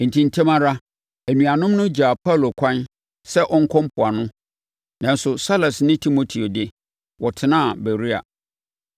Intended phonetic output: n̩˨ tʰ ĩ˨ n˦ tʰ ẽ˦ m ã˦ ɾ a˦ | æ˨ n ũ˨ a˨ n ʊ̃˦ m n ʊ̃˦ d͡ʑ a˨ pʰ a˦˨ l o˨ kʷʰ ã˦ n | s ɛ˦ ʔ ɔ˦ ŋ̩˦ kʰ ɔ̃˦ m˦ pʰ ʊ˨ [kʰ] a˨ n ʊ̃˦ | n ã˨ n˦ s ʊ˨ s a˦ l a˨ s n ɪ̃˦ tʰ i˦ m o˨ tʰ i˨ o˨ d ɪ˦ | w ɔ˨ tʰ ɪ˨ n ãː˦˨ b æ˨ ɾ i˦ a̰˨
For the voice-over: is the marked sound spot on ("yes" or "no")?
no